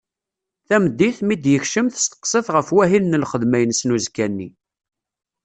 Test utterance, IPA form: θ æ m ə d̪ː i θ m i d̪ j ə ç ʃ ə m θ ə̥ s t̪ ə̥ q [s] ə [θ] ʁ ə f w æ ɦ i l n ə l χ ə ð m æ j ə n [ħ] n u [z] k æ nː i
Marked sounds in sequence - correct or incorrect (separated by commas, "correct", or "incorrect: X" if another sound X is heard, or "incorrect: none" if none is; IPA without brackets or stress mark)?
correct, correct, incorrect: s, correct